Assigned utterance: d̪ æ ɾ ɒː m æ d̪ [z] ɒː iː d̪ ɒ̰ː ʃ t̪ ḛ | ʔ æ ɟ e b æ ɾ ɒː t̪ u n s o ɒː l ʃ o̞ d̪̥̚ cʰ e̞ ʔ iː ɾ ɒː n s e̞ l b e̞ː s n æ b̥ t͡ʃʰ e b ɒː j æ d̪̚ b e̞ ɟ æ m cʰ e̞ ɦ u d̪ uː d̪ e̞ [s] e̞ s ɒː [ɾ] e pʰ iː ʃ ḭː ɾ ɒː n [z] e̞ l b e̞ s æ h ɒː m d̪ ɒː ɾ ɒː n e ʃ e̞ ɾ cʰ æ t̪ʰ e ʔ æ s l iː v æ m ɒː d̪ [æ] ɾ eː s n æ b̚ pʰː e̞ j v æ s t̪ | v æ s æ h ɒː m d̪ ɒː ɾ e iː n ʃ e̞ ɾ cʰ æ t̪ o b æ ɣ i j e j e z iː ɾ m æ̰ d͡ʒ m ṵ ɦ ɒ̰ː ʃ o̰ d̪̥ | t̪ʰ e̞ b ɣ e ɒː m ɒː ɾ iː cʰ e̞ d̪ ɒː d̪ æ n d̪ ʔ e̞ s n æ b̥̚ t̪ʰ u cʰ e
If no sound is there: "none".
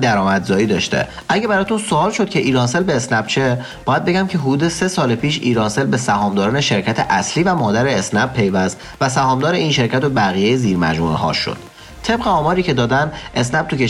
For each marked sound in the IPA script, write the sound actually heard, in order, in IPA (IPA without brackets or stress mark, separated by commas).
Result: z, s, l, s, æ